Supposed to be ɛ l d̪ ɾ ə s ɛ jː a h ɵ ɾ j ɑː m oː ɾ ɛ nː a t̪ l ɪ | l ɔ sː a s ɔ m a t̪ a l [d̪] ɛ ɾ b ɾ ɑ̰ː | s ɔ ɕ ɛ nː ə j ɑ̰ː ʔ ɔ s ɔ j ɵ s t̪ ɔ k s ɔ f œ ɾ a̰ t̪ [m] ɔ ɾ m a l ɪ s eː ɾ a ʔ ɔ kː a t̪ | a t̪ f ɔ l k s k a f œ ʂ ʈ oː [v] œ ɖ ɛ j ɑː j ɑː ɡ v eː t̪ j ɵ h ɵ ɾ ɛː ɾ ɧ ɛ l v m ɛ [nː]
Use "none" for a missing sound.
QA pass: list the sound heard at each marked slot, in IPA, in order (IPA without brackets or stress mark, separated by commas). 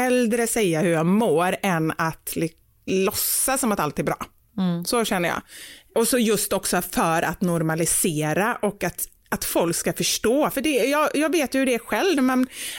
t̪, n, f, n